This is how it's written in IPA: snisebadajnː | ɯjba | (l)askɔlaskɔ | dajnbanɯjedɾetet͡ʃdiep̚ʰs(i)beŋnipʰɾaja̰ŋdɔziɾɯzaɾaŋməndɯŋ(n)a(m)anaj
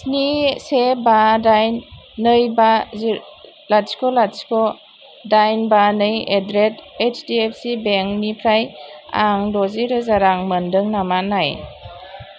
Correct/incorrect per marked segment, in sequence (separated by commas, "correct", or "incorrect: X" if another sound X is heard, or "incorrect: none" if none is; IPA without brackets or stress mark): correct, correct, correct, correct